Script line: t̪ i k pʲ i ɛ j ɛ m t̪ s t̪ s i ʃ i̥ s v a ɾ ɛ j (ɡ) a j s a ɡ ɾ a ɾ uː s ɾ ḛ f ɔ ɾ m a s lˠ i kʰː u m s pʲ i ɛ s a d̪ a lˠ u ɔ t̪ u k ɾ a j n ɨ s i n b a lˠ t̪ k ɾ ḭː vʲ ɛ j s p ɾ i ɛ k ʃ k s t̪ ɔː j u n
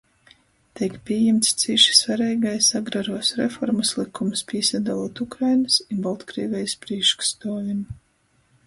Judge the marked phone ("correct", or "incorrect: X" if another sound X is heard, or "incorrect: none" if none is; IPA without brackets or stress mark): correct